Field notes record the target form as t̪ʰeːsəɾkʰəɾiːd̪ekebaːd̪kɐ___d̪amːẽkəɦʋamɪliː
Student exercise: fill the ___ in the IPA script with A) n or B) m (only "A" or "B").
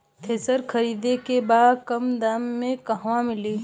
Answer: B